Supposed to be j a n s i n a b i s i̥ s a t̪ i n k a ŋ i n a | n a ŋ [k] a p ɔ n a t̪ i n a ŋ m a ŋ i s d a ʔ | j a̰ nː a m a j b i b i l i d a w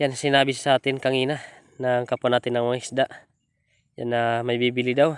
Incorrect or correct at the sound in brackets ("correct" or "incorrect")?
correct